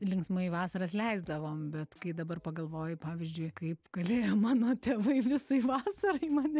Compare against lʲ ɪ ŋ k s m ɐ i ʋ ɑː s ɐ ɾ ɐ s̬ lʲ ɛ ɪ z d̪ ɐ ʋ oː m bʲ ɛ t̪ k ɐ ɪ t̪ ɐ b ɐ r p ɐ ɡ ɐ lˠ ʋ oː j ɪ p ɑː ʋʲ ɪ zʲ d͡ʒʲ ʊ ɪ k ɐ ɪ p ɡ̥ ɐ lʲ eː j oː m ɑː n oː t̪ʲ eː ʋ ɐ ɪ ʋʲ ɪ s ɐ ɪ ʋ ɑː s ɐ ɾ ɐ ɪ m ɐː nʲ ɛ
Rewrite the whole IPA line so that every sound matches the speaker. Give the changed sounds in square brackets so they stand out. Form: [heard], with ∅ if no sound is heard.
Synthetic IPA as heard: lʲ ɪ ŋ k s m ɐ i ʋ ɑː s ɐ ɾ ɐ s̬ lʲ ɛ ɪ z d̪ ɐ ʋ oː m bʲ ɛ t̪ k ɐ ɪ [d̪] ɐ b ɐ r p ɐ ɡ ɐ lˠ ʋ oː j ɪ p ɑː ʋʲ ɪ zʲ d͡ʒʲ ʊ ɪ k ɐ ɪ p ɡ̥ ɐ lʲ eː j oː m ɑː n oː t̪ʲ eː ʋ ɐ ɪ ʋʲ ɪ s ɐ ɪ ʋ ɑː s ɐ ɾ ɐ ɪ m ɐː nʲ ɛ